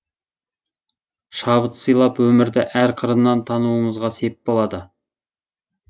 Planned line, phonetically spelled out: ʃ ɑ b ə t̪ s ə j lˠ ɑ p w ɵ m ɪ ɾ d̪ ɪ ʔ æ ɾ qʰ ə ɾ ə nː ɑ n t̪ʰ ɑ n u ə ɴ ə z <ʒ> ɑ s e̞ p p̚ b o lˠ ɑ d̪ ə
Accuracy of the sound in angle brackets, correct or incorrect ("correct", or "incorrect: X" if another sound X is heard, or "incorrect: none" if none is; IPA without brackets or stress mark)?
incorrect: ʁ